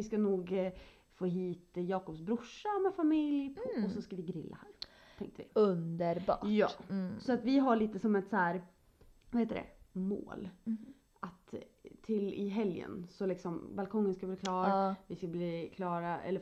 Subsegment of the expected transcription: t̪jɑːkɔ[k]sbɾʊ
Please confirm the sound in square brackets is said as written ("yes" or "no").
no